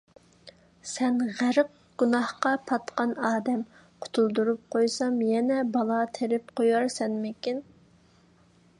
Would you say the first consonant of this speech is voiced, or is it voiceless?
voiceless